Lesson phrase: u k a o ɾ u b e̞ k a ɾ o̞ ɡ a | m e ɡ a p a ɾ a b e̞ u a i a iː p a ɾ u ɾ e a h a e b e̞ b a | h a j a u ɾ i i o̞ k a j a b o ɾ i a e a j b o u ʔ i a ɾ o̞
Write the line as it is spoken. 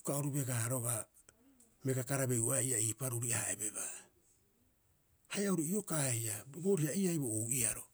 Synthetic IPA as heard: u k a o ɾ u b e̞ ɡ a ɾ o̞ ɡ a | m e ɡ a k a ɾ a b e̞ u a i a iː p a ɾ u ɾ i a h a e b e̞ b a | h a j a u ɾ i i o̞ k a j a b o ɾ i a i a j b o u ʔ i a ɾ o̞